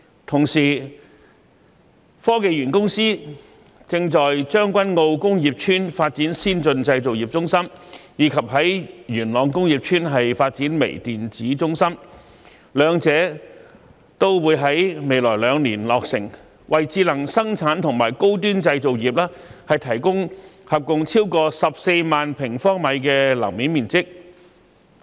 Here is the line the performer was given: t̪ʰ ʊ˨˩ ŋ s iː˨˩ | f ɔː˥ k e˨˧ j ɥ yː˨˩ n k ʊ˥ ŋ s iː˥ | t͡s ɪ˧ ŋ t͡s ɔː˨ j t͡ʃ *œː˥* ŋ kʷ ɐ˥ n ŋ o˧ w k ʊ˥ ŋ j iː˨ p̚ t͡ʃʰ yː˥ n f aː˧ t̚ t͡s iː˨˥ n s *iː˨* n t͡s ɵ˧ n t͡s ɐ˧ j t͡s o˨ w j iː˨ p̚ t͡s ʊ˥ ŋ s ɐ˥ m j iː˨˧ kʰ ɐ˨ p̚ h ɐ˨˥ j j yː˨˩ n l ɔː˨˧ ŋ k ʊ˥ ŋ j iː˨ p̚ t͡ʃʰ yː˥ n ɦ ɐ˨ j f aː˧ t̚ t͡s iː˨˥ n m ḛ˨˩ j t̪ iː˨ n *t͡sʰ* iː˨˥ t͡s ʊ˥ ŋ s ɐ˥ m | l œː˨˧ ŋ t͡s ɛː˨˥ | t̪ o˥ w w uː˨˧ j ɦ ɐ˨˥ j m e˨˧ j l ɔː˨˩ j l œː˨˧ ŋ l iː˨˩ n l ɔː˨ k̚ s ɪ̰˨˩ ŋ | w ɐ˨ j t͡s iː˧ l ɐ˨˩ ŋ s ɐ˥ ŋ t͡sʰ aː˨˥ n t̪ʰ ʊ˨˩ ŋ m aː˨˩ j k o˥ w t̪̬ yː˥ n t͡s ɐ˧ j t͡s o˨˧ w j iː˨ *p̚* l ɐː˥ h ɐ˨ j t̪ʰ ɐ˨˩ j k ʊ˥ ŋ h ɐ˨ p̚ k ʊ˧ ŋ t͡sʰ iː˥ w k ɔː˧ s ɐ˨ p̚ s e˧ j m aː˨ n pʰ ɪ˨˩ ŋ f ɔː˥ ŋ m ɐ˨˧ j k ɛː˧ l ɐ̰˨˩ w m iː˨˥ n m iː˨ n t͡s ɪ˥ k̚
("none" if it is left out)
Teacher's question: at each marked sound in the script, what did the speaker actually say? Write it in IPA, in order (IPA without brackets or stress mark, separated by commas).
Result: œː˥, iː˥, t͡s, p̚